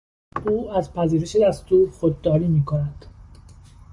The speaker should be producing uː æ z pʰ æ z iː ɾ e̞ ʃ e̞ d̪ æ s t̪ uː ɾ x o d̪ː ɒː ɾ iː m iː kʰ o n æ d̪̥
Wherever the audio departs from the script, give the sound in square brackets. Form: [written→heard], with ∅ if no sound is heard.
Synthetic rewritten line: uː æ z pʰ æ z iː ɾ e̞ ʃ e̞ d̪ æ s t̪ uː ɾ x o d̪ː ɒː ɾ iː m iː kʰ o n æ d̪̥